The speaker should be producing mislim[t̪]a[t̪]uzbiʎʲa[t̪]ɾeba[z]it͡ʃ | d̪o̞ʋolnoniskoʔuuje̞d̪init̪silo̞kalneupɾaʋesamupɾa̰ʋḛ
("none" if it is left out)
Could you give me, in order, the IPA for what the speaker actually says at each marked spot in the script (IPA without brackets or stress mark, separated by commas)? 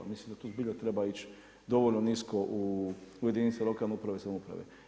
d̪, t̪, t̪, none